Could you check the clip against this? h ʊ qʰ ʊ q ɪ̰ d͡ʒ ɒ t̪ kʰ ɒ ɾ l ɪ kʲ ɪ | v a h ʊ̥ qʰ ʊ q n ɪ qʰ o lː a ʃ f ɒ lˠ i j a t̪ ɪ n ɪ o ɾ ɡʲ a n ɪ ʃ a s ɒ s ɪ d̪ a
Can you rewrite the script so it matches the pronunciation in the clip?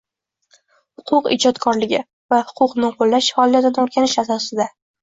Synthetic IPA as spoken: h ʊ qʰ ʊ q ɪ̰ d͡ʒ ɒ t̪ kʰ ɒ ɾ l ɪ ɡʲ ɪ | v a h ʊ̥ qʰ ʊ q n ɪ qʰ o lː a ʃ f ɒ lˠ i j a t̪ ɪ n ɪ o ɾ ɡʲ a n ɪ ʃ a s ɒ s ɪ d̪ a